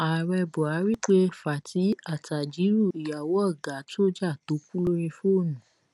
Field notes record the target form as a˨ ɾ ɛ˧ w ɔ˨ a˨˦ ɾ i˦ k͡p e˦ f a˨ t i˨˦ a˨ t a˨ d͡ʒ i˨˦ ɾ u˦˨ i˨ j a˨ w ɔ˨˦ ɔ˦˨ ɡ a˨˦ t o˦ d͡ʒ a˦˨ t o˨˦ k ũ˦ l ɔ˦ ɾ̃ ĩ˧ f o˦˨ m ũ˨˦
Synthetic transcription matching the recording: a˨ ɾ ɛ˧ b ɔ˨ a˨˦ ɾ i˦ k͡p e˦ f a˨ t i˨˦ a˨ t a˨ d͡ʒ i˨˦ ɾ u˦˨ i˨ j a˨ w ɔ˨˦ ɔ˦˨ ɡ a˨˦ t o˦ d͡ʒ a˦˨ t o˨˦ k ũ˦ l o˦ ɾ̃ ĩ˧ f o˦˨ n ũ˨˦